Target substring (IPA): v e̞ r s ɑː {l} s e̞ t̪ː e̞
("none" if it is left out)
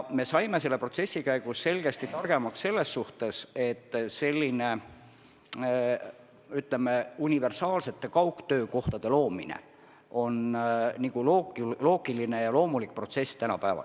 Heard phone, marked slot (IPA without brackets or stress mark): l